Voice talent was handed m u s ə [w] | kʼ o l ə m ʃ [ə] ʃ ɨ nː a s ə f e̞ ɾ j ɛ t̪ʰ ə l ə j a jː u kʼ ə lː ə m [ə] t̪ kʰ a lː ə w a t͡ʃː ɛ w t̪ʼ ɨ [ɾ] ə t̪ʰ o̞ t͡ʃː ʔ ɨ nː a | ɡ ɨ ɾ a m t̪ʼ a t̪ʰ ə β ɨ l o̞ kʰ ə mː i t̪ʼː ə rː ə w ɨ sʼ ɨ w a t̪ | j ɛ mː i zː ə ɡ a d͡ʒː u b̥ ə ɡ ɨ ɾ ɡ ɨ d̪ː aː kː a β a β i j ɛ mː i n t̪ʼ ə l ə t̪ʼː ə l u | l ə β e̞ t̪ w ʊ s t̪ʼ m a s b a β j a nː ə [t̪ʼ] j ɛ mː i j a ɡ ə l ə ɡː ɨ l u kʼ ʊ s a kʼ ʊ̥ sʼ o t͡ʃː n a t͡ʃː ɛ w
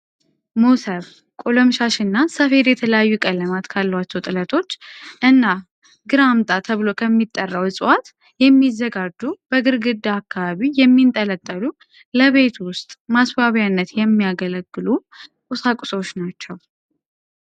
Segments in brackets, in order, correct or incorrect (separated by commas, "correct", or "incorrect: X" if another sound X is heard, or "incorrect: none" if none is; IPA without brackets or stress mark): incorrect: β, incorrect: a, incorrect: a, incorrect: l, incorrect: t̪